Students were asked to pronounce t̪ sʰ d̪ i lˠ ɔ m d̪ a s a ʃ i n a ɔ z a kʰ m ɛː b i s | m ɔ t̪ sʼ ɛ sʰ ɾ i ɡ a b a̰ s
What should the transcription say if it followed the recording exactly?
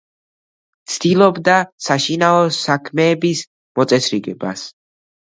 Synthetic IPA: t̪ sʰ d̪ i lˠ ɔ b d̪ a s a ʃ i n a ɔ s a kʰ m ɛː b i s | m ɔ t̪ sʼ ɛ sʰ ɾ i ɡ ɛ b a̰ s